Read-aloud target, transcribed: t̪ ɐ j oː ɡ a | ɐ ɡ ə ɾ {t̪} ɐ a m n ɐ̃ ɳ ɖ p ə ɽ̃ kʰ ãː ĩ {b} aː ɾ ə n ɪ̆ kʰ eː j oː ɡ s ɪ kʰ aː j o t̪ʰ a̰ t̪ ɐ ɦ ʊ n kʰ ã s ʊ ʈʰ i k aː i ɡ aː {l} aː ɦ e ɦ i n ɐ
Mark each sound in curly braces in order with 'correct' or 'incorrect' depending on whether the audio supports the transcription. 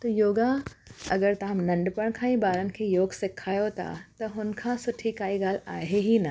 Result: correct, correct, correct

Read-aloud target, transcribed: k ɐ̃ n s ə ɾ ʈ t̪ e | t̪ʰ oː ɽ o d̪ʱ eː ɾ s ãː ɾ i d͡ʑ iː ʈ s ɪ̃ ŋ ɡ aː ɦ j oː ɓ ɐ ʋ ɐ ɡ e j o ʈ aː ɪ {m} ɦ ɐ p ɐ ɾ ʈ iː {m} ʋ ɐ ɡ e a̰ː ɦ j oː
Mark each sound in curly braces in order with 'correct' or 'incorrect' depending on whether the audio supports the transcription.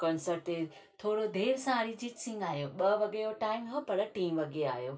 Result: correct, correct

